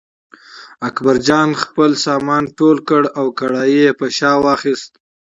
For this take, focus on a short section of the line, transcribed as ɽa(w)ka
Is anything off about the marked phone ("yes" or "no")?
no